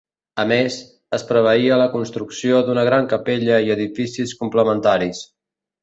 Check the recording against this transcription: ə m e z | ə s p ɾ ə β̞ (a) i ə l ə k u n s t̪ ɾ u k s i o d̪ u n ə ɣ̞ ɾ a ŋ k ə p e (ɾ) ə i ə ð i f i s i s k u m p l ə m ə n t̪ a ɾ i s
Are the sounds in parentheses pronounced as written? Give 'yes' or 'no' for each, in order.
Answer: no, no

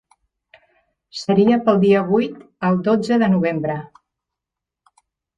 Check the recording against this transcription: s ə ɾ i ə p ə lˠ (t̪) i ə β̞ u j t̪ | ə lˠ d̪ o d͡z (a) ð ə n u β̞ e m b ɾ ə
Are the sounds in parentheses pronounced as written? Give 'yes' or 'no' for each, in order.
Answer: no, no

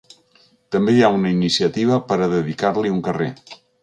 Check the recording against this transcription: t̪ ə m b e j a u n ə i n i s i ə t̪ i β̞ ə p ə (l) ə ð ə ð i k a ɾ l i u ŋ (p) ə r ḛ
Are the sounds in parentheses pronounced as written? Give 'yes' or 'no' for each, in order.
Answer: no, no

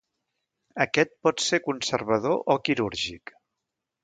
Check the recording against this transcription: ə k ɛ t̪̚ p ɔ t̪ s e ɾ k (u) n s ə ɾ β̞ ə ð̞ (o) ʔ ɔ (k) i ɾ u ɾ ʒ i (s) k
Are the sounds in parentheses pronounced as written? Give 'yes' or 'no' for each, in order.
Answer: yes, yes, yes, no

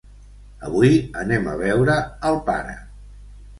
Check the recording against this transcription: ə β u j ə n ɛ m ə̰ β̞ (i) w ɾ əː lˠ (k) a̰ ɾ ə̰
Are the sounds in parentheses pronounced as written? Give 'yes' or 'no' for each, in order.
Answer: no, no

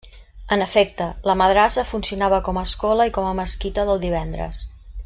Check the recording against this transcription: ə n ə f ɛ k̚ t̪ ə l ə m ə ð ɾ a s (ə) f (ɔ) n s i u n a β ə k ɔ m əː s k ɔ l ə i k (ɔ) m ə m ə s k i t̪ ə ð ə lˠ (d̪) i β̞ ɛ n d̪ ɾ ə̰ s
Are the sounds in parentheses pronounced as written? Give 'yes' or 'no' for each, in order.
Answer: yes, no, yes, yes

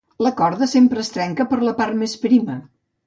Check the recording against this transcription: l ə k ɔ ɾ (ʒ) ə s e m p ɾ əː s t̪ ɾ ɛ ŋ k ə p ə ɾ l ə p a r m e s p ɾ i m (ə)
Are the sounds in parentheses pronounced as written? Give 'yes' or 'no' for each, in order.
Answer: no, yes

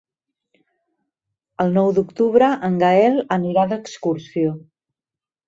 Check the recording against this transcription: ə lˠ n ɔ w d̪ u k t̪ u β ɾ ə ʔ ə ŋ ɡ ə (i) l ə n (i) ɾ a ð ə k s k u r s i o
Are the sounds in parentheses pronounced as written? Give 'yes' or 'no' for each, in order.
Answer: no, yes

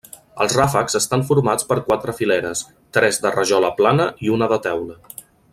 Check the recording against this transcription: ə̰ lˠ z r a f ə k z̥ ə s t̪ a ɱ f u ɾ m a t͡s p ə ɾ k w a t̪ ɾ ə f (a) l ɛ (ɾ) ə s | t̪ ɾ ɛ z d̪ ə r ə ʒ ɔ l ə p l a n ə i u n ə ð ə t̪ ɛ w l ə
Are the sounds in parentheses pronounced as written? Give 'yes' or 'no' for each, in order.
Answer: no, yes

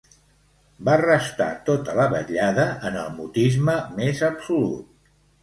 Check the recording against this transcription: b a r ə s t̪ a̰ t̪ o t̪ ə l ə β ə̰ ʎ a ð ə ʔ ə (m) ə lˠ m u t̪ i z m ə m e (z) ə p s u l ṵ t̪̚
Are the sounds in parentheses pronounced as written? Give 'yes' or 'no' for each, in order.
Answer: no, yes

